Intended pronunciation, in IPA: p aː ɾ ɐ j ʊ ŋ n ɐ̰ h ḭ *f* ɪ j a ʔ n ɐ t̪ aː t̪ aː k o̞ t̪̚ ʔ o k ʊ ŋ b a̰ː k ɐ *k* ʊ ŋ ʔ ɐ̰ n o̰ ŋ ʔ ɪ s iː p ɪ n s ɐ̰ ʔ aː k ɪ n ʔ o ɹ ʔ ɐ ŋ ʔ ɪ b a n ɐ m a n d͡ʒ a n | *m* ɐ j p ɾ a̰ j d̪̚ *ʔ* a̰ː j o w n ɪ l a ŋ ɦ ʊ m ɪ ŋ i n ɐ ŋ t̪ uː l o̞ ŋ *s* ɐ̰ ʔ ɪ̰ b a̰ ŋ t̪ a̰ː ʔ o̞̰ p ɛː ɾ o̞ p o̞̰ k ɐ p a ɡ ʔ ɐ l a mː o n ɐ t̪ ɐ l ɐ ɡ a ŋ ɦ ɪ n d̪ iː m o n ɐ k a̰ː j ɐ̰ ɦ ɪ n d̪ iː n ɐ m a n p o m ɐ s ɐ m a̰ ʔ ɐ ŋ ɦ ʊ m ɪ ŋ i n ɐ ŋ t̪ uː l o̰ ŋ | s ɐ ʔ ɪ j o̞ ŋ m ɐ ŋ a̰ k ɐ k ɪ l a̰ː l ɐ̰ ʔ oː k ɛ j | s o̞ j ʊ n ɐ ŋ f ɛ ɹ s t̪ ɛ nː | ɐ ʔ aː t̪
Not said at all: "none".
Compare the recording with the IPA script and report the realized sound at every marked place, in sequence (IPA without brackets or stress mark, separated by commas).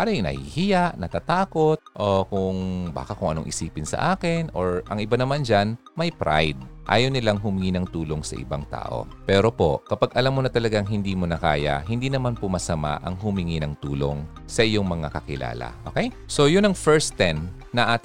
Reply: h, k, m, ʔ, s